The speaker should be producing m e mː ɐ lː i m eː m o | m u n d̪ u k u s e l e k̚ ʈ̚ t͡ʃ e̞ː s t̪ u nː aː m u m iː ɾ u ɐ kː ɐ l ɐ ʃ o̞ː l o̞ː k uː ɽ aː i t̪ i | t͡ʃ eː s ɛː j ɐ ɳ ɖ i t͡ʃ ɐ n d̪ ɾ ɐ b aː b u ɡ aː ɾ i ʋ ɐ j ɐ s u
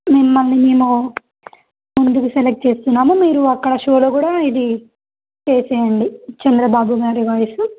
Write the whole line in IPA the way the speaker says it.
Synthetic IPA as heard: m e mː ɐ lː i m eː m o | m u n d̪ u k u s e l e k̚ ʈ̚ t͡ʃ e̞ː s t̪ u nː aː m u m iː ɾ u ɐ kː ɐ ɽ ɐ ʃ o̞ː l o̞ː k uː ɽ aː i d̪ i | t͡ʃ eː s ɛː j ɐ ɳ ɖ i t͡ʃ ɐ n d̪ ɾ ɐ b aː b u ɡ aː ɾ i ʋ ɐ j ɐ s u